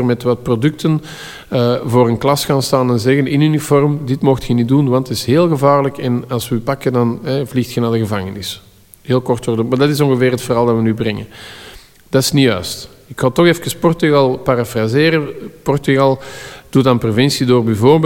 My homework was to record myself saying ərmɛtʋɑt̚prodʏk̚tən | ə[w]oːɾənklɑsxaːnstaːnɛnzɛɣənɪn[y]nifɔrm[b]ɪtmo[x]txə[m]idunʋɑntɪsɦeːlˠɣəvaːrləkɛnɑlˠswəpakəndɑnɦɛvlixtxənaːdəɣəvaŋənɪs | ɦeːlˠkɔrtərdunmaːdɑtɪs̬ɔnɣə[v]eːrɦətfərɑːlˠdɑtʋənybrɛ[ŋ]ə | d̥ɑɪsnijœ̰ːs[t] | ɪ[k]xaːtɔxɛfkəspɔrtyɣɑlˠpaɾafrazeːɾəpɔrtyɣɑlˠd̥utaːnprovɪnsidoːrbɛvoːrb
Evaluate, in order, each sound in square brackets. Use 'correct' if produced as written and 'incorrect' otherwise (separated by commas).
incorrect, correct, incorrect, correct, incorrect, correct, correct, correct, correct